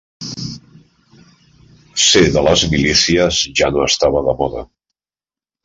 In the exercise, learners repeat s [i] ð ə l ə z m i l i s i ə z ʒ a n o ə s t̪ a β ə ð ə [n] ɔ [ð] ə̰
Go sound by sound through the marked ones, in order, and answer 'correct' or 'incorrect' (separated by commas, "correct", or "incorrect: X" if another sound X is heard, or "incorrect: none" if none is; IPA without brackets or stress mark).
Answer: incorrect: e, incorrect: m, correct